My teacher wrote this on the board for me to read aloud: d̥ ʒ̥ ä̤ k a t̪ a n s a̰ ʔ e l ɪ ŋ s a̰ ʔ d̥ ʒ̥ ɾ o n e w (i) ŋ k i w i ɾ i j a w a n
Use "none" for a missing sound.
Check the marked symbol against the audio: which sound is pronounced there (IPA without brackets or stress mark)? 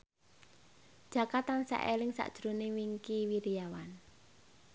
i